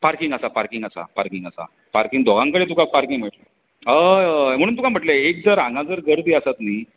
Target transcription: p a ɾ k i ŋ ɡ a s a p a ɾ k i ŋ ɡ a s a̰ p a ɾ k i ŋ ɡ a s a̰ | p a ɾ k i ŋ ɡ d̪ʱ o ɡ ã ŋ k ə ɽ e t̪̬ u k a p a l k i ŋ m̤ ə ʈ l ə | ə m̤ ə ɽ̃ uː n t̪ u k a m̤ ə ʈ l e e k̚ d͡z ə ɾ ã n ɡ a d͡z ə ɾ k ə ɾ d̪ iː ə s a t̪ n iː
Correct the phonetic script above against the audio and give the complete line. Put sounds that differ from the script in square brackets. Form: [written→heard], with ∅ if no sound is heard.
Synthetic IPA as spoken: p a ɾ k i ŋ ɡ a s a p a ɾ k i ŋ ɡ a s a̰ p a ɾ k i ŋ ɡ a s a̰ | p a ɾ k i ŋ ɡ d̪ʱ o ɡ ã ŋ k ə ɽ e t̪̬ u k a p a [l→ɾ] k i ŋ m̤ ə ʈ l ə | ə m̤ ə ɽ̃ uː n t̪ u k a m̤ ə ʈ l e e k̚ d͡z ə ɾ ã [n→ŋ] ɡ a d͡z ə ɾ [k→ɡ] ə ɾ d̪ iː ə s a t̪ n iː